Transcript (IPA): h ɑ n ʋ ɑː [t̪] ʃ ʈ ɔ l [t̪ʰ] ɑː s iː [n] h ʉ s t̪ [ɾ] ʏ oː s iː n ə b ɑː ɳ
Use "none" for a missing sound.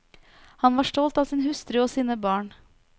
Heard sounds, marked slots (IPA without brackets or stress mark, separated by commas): none, t̪, n, ɾ